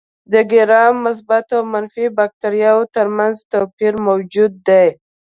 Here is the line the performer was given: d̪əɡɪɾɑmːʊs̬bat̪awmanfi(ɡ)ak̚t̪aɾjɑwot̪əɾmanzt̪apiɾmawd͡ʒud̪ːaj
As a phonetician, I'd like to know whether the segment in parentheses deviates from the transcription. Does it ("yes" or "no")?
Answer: yes